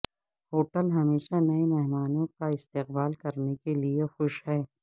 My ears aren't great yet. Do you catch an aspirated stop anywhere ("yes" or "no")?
no